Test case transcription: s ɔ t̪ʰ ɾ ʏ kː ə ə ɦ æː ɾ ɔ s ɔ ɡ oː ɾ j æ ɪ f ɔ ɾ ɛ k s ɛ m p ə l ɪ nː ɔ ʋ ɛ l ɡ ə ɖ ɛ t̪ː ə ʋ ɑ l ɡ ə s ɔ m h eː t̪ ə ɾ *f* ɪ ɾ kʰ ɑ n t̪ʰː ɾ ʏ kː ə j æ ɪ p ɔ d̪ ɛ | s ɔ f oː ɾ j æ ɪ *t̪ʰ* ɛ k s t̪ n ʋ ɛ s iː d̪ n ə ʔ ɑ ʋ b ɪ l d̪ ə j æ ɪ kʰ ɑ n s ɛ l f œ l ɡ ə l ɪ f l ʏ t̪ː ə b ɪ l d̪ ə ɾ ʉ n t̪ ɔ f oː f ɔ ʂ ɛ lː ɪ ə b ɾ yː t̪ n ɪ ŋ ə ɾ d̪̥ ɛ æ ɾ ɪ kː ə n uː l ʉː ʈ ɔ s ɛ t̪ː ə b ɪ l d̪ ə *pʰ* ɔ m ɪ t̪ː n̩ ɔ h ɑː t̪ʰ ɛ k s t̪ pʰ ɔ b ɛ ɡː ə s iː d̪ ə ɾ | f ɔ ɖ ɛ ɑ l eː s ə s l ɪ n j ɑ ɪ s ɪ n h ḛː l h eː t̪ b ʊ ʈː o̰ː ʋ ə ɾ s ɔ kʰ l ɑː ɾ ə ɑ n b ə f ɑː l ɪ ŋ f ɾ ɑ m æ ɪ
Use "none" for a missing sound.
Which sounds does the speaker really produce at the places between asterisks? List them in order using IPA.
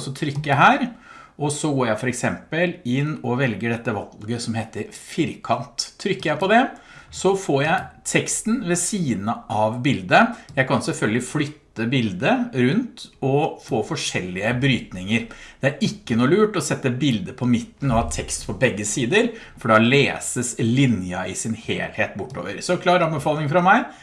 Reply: f, t̪ʰ, pʰ

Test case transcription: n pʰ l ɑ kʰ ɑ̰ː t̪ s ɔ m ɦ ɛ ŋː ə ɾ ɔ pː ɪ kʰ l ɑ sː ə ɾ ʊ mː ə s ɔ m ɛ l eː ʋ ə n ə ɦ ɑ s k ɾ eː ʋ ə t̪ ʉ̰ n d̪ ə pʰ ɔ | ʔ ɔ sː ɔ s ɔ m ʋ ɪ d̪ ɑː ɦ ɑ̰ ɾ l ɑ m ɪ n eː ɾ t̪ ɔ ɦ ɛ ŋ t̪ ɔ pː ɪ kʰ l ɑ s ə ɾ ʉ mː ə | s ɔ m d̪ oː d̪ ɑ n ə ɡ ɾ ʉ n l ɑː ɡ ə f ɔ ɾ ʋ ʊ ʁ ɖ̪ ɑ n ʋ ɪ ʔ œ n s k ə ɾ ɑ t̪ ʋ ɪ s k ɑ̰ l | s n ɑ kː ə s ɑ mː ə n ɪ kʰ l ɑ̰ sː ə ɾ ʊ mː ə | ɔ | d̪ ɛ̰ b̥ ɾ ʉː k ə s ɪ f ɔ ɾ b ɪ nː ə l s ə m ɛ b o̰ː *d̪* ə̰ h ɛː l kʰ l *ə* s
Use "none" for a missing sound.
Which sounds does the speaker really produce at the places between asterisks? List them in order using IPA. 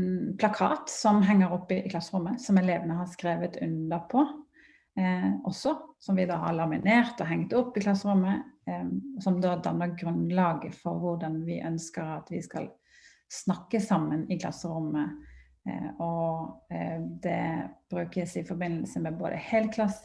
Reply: d̪, ɑ

